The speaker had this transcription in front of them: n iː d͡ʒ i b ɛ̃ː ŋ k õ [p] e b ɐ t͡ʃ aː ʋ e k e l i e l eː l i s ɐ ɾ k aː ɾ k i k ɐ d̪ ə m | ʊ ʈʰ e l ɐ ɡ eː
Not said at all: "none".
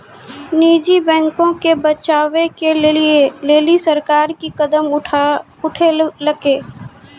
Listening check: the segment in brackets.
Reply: k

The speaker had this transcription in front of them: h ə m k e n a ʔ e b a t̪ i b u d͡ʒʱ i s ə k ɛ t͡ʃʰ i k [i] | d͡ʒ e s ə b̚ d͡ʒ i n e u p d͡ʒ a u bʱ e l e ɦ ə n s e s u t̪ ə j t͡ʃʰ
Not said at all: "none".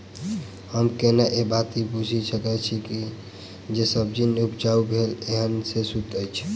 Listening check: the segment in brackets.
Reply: i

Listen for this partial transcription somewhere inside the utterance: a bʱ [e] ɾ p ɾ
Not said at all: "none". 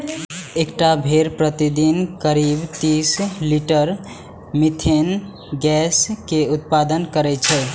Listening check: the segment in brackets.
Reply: e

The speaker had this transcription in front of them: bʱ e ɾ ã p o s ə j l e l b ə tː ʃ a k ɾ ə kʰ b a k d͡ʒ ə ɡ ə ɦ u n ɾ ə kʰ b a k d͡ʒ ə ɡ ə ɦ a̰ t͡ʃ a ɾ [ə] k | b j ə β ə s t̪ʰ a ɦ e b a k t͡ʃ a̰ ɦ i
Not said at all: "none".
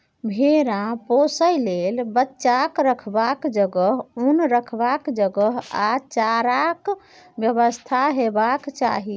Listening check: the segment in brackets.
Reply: a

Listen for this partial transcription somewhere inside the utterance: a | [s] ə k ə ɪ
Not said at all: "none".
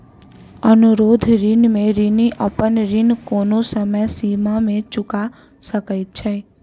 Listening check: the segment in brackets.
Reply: s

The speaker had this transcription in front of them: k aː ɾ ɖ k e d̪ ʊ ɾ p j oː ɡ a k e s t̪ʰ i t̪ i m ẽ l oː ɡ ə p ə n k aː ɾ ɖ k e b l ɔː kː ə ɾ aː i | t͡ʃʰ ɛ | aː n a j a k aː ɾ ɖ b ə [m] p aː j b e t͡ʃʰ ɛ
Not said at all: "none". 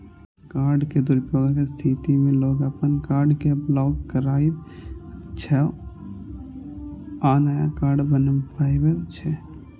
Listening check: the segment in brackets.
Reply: n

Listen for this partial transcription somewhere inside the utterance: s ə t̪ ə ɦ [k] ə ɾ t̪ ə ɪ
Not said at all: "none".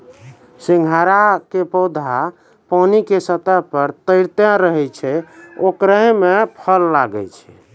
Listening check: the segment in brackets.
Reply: p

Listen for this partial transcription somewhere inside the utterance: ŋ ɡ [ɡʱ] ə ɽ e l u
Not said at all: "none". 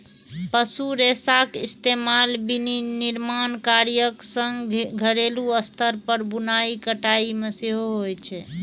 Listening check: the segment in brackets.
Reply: ɡʱ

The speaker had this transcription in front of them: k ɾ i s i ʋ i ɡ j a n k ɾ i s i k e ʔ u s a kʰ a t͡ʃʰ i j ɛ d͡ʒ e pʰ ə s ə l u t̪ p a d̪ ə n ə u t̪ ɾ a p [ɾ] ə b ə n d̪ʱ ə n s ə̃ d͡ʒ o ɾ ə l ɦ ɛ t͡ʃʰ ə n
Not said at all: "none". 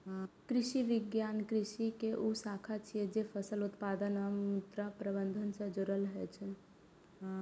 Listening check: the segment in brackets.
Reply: ɾ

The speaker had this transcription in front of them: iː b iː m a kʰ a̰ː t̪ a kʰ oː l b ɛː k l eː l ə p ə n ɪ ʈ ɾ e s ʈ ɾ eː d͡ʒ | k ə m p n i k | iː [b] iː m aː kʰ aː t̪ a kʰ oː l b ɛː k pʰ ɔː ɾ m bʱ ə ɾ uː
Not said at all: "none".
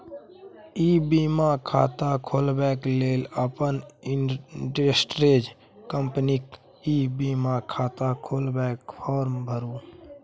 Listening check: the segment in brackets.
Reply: b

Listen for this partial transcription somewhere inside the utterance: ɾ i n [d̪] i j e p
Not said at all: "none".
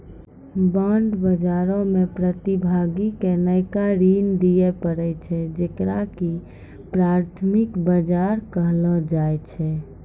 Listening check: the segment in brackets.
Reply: d̪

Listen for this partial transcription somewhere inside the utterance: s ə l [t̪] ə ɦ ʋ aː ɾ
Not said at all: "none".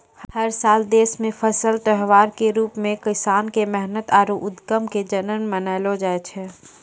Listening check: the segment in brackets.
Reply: t̪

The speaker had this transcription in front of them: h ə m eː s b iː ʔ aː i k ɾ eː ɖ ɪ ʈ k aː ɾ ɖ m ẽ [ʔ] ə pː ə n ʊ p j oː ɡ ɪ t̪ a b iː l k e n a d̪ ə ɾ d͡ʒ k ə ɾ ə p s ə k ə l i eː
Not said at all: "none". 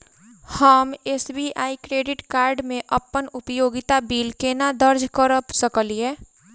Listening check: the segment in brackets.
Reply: ʔ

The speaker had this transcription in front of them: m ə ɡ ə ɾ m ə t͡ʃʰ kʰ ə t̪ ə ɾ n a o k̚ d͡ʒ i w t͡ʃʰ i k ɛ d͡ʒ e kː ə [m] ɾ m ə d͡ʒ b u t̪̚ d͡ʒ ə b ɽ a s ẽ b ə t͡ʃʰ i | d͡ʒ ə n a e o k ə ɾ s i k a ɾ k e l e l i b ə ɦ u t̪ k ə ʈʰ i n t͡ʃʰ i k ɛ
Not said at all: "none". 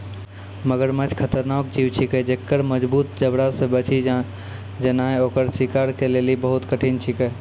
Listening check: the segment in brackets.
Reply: none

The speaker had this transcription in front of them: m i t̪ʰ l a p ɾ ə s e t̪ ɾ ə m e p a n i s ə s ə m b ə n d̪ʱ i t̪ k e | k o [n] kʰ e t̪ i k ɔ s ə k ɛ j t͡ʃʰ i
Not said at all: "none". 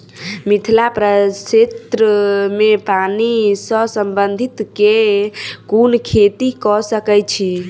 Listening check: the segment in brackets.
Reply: n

